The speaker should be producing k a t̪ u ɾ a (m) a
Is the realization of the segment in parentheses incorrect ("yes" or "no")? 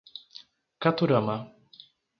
no